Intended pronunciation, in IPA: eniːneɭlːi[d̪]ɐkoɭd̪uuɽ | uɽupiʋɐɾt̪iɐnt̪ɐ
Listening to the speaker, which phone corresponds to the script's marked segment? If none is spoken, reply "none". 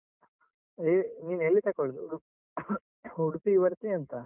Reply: t̪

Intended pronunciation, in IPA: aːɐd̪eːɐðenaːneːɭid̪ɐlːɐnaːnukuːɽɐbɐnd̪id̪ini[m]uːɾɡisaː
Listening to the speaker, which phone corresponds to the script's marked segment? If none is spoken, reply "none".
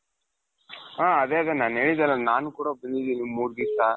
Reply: m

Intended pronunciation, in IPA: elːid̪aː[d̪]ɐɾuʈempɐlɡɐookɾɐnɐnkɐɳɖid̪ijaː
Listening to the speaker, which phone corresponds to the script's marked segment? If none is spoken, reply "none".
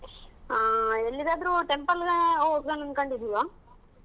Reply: d̪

